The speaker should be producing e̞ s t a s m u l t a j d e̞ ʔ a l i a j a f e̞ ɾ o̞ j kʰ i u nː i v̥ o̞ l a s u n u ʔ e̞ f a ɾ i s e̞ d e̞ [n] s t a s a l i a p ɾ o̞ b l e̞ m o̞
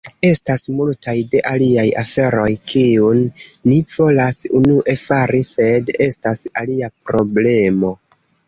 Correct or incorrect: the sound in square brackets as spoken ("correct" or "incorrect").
incorrect